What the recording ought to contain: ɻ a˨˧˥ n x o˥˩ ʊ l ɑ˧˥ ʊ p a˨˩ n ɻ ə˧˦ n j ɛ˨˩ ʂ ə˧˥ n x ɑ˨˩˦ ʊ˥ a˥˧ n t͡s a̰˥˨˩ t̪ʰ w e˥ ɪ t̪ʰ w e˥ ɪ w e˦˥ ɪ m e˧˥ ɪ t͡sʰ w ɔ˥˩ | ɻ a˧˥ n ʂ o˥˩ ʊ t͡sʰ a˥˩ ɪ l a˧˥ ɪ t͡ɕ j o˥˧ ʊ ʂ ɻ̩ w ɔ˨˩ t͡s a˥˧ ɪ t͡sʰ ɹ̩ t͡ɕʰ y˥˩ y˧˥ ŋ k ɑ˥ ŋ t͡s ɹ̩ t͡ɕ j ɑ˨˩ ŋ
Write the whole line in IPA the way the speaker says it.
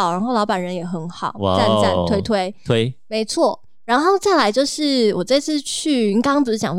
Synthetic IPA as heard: ɻ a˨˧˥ n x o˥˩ ʊ l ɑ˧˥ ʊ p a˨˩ n ɻ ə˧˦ n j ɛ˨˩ x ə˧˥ n x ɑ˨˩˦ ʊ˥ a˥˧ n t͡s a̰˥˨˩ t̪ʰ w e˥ ɪ t̪ʰ w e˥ ɪ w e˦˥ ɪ m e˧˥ ɪ t͡sʰ w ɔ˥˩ | ɻ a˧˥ n x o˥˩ ʊ t͡s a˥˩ ɪ l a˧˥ ɪ t͡ɕ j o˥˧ ʊ ʂ ɻ̩ w ɔ˨˩ t͡s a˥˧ ɪ t͡sʰ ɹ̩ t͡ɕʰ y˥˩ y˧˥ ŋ k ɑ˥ ŋ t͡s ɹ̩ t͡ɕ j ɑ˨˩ ŋ